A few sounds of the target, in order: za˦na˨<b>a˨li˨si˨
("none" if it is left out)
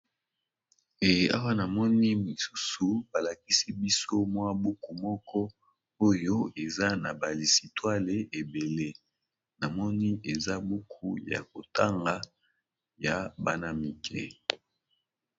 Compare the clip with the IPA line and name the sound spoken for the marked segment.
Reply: b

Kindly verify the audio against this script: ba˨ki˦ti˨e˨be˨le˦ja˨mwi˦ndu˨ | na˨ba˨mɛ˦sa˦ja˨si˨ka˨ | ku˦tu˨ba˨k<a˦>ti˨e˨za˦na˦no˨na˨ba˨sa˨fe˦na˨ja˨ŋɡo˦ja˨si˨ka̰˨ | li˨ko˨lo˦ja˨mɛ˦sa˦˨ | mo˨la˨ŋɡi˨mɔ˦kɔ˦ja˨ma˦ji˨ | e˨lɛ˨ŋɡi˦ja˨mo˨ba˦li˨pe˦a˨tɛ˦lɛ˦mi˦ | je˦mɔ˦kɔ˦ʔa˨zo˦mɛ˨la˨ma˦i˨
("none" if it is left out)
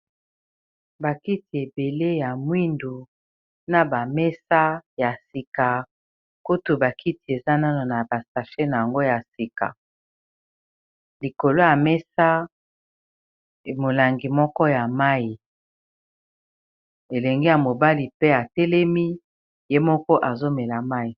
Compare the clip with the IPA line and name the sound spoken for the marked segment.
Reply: i˦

